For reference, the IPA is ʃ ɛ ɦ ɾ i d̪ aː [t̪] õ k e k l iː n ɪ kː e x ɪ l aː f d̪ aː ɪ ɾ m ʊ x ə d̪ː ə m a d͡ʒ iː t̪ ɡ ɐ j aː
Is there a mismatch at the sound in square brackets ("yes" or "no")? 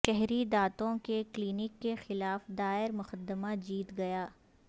no